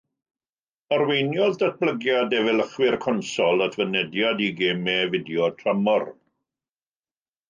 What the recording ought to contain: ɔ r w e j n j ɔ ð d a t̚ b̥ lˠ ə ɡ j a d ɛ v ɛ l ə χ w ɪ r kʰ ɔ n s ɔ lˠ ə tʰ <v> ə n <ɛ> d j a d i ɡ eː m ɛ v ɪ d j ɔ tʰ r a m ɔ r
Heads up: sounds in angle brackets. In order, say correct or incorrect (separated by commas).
correct, correct